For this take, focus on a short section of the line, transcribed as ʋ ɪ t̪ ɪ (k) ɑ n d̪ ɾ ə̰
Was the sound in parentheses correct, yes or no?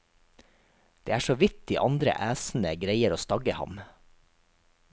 no